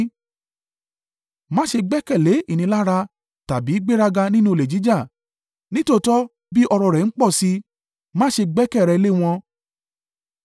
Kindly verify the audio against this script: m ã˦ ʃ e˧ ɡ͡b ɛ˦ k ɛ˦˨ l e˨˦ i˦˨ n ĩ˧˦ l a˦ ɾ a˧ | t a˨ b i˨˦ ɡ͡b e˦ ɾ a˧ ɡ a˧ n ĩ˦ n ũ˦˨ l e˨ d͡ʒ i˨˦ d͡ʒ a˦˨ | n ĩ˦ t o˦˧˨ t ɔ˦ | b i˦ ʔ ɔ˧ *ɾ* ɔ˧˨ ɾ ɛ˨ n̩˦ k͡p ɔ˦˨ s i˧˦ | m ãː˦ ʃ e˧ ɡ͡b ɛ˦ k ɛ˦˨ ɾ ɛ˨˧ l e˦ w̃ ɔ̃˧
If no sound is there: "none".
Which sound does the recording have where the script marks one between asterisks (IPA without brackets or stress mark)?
ɾ